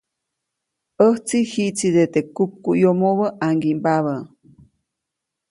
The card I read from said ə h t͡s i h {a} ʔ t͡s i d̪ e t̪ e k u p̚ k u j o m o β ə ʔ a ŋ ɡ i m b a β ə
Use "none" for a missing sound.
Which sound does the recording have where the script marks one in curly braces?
i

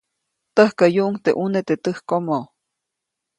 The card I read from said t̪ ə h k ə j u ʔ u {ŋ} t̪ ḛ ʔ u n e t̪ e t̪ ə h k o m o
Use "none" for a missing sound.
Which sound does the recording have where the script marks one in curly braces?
ŋ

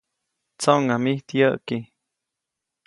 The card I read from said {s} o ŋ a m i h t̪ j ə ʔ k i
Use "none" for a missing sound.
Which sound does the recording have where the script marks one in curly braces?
t͡s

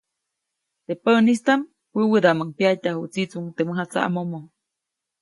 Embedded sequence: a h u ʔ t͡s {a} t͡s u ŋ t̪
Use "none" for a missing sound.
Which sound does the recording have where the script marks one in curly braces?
i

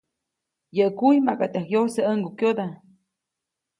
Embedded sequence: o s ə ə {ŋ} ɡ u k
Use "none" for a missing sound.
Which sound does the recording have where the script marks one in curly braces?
ŋ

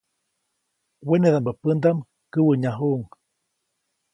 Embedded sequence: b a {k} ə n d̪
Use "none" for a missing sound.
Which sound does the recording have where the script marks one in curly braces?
p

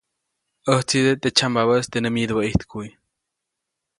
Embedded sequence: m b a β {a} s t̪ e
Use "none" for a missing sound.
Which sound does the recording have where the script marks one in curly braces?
ə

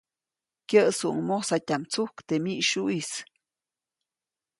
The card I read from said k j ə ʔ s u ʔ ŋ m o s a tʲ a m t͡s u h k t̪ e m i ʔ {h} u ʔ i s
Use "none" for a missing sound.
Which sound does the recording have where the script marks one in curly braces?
ʃ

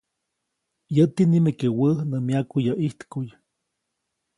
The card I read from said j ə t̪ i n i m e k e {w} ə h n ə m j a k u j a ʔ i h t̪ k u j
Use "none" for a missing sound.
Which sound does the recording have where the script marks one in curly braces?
w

